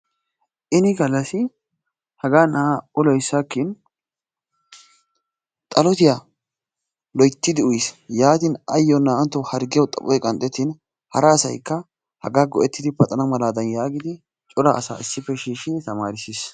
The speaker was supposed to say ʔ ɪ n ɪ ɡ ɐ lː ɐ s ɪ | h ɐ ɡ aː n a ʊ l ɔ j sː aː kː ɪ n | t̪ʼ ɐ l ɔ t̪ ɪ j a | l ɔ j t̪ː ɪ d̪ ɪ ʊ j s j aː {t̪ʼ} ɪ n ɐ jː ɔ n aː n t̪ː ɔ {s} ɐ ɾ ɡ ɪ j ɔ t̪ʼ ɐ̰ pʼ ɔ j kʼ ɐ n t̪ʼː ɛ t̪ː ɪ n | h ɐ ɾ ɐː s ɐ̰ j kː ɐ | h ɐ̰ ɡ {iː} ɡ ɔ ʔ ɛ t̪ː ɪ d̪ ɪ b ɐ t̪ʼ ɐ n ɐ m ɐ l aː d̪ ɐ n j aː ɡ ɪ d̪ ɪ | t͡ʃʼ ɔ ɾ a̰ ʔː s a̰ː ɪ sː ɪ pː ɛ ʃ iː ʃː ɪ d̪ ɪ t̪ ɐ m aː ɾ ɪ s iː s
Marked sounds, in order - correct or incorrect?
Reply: incorrect: t̪, incorrect: h, incorrect: aː

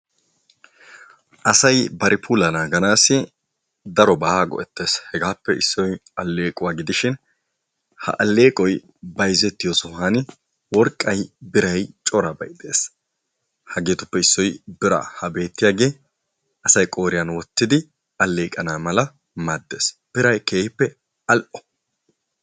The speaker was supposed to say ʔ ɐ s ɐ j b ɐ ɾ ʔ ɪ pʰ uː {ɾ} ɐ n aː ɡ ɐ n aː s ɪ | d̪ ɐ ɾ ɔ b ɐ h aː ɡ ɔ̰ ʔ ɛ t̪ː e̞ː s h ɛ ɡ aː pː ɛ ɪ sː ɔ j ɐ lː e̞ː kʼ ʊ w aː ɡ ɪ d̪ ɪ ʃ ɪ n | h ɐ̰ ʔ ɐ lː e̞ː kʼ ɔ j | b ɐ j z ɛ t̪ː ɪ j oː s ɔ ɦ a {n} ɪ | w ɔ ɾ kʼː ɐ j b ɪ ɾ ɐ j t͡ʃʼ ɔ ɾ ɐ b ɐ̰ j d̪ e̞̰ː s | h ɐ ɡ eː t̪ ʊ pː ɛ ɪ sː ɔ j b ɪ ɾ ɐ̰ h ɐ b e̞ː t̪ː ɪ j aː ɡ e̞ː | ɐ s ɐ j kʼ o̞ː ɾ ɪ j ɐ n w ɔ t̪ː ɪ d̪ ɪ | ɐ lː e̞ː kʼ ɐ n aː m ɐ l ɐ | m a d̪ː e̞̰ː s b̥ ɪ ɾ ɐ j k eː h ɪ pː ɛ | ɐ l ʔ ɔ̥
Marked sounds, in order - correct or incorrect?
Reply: incorrect: l, correct

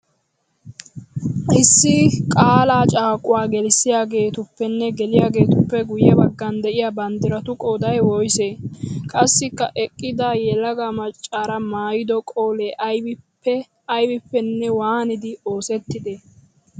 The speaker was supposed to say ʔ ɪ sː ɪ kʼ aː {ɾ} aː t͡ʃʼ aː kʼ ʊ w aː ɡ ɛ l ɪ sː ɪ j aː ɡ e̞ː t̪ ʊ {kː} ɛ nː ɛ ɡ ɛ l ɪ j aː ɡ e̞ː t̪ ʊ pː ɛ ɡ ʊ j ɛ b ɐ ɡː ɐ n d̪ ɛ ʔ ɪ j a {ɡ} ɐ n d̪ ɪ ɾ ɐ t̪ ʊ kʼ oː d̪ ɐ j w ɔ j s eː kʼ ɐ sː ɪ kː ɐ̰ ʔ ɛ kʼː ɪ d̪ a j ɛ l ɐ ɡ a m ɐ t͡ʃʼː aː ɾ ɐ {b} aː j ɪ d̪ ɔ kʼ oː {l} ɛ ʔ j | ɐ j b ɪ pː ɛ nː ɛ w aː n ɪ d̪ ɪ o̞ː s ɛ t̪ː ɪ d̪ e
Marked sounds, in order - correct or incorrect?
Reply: incorrect: l, incorrect: pː, incorrect: b, incorrect: m, correct

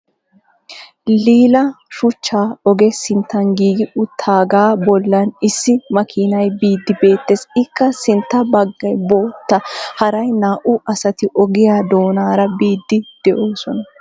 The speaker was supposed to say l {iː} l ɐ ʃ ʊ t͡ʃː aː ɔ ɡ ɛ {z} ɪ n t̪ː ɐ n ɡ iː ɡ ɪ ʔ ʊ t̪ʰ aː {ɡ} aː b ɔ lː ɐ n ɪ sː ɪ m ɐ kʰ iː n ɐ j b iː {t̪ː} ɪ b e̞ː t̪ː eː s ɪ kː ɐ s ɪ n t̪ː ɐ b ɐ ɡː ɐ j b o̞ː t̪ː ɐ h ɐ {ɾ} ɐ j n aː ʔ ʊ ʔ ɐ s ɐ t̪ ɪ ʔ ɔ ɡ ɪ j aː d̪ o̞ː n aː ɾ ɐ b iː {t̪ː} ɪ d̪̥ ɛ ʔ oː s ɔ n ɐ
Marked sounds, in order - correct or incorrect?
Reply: correct, incorrect: s, correct, incorrect: d̪ː, correct, incorrect: d̪ː

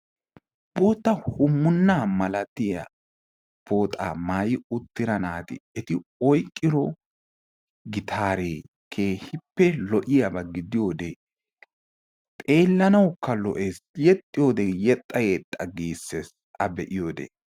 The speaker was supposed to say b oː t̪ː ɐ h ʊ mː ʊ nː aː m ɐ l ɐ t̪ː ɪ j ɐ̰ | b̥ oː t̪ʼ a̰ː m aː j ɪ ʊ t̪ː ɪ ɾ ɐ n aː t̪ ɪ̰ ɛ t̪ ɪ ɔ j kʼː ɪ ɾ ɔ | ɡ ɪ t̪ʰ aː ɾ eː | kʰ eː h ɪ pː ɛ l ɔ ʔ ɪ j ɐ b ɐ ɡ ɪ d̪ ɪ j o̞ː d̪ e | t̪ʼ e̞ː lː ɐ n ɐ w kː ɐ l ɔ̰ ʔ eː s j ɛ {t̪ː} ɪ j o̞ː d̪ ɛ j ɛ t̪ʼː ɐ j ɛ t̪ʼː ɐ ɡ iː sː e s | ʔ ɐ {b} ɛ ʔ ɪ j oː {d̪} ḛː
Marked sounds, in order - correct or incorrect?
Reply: incorrect: t̪ʼː, correct, correct

